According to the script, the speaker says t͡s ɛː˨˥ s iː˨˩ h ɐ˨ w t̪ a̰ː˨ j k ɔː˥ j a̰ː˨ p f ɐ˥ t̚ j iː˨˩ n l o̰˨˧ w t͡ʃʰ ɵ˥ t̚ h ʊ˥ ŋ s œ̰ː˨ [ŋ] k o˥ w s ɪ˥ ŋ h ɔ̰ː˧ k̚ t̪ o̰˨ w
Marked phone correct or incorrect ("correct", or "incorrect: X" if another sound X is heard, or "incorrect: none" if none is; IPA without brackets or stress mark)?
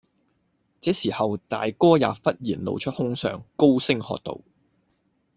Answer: correct